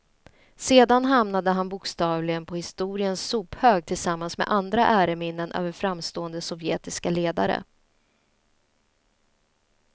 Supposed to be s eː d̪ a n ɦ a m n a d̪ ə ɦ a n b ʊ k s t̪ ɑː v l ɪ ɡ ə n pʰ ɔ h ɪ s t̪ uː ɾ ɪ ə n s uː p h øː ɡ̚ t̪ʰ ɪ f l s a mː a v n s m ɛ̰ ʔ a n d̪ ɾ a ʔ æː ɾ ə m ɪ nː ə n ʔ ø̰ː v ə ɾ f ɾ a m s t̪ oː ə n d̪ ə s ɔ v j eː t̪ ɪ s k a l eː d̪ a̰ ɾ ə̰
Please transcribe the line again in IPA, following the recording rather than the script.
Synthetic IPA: s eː d̪ a n ɦ a m n a d̪ ə ɦ a n b ʊ k s t̪ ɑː v l ɪ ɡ ə n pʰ ɔ h ɪ s t̪ uː ɾ ɪ ə n s uː p h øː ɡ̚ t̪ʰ ɪ l s a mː a n s m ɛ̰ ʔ a n d̪ ɾ a ʔ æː ɾ ə m ɪ nː ə n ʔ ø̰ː v ə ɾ f ɾ a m s t̪ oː ə n d̪ ə s ɔ v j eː t̪ ɪ s k a l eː d̪ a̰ ɾ ə̰